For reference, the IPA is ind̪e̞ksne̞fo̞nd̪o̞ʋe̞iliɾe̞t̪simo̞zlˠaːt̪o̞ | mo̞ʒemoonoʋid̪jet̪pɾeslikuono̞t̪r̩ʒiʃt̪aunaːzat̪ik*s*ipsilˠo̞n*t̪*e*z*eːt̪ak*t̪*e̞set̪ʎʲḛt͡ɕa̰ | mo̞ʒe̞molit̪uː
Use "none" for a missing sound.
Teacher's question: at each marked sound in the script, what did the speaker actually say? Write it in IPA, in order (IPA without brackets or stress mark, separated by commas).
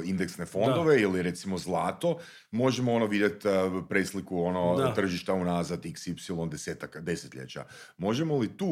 s, d̪, s, d̪